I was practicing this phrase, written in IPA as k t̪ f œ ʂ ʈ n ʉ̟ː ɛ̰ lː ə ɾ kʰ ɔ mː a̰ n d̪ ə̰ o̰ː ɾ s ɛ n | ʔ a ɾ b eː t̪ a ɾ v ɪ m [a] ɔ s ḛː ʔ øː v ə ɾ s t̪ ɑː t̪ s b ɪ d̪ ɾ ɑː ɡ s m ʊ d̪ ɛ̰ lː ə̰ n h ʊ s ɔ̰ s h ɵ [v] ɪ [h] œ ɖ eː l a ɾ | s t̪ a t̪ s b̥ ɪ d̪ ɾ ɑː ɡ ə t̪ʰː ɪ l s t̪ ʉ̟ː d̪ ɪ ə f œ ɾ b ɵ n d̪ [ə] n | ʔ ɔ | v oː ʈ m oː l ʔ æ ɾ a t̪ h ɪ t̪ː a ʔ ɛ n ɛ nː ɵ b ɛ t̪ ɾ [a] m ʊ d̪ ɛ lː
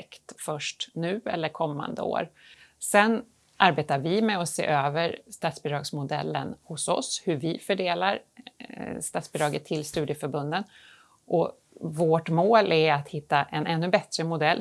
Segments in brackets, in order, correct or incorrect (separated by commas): incorrect, correct, incorrect, correct, incorrect